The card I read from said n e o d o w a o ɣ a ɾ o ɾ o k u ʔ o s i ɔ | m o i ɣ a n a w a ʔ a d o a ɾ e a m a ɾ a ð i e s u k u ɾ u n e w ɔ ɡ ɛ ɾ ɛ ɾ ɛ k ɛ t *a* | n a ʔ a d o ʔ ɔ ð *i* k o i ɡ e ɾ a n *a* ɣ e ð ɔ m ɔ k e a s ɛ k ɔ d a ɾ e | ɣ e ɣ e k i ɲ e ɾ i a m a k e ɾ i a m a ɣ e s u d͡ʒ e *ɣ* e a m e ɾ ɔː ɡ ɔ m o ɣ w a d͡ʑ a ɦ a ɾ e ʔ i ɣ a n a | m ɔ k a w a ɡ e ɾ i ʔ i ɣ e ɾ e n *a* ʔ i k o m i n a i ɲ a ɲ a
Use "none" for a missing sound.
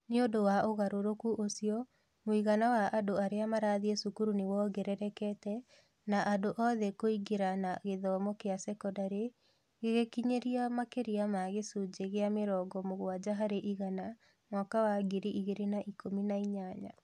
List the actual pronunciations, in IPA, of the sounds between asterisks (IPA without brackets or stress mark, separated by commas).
ɛ, ɛ, a, ɣ, a